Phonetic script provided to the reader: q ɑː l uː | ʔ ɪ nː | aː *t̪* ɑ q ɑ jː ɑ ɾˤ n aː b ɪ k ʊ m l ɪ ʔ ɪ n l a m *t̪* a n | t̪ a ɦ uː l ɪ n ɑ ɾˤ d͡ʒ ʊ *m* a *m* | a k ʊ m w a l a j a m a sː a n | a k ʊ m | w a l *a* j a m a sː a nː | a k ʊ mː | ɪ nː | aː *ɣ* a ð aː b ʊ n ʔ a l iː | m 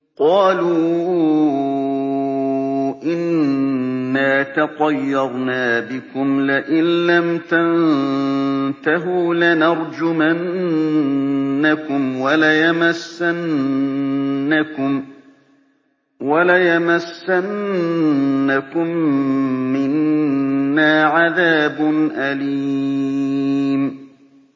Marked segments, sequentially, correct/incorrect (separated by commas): correct, correct, correct, incorrect, correct, incorrect